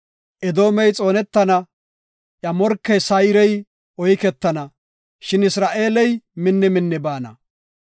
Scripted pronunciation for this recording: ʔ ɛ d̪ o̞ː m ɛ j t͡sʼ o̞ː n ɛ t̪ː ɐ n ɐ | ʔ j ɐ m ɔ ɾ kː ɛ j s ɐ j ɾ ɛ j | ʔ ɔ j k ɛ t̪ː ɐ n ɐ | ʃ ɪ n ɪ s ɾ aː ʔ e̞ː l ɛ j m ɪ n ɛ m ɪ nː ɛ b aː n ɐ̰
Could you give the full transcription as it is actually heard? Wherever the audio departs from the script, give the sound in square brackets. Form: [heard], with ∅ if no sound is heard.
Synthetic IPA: ʔ ɛ d̪ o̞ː m ɛ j t͡sʼ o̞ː n ɛ t̪ː ɐ n ɐ | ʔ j ɐ m ɔ ɾ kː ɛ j s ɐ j ɾ ɛ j | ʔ ɔ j k ɛ t̪ː ɐ n ɐ | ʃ ɪ n ɪ s ɾ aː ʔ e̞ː l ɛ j m ɪ [nː] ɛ m ɪ nː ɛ b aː n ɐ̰